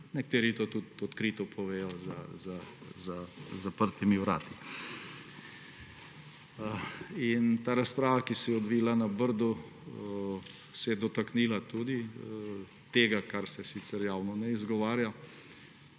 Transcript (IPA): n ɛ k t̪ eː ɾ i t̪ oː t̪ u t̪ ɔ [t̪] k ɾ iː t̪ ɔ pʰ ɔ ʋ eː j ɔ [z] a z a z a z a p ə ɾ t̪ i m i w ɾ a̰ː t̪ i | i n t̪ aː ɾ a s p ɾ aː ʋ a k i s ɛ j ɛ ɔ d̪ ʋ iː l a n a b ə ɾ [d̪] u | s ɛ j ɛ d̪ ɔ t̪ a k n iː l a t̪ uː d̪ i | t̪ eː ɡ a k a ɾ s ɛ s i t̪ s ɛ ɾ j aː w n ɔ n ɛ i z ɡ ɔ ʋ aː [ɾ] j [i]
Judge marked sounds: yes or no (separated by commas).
yes, yes, yes, yes, no